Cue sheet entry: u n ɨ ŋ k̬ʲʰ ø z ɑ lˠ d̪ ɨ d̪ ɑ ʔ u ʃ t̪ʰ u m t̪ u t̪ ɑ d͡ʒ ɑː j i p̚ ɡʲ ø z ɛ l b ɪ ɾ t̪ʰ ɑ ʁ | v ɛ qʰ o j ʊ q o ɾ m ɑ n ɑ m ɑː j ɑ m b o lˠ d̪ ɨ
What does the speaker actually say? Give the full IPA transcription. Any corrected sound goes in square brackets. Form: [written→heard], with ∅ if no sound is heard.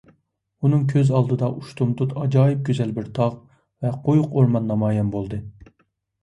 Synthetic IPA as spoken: u n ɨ ŋ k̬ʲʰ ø z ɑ lˠ d̪ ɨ d̪ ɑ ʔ u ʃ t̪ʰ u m t̪ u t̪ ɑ d͡ʒ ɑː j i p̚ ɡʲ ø z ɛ l b ɪ ɾ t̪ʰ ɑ ʁ | v ɛ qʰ o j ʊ q o ɾ m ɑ [n→nː] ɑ m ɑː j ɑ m b o lˠ d̪ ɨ